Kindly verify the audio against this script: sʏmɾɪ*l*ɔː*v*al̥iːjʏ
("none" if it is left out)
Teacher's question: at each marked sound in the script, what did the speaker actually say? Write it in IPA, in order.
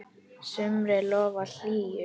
l, v

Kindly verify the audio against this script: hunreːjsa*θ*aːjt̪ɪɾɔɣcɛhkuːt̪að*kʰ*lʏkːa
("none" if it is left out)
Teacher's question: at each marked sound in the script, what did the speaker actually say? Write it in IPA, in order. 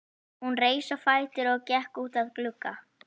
f, k

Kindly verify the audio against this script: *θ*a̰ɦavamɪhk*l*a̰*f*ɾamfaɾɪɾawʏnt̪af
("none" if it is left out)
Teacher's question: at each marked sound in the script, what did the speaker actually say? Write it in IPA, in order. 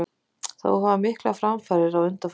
θ, l, f

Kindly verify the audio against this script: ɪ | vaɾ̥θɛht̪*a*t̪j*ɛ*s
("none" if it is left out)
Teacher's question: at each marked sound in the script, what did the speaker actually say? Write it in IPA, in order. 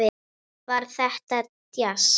a, a

